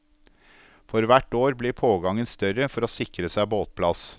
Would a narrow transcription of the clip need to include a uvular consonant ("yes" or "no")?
no